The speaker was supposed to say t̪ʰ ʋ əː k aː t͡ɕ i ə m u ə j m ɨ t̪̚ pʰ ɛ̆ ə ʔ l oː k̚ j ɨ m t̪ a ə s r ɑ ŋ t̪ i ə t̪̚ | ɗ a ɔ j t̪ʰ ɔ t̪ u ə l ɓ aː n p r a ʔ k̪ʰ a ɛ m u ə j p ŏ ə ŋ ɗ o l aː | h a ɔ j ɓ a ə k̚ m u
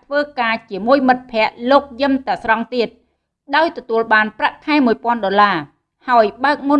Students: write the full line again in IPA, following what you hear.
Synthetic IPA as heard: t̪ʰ ʋ əː k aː t͡ɕ i ə m u ə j m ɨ t̪̚ pʰ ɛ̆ ə ʔ l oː k̚ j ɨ m t̪ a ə s r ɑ ŋ t̪ i ə t̪̚ | ɗ a ɔ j t̪ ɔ t̪ u ə l ɓ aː n p r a ʔ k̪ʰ a ɛ m u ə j p ŏ ə n ɗ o l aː | h a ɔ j ɓ a ə k̚ m u